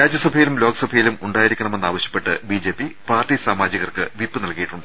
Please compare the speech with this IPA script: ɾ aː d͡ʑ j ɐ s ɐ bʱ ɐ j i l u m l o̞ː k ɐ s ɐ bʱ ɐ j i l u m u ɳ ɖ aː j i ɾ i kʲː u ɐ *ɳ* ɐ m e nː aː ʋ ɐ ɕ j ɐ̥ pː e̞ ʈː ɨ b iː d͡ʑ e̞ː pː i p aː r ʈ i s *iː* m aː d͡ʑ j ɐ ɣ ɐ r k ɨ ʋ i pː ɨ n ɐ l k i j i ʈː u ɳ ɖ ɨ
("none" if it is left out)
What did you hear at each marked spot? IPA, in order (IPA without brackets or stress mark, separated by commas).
ɳ, aː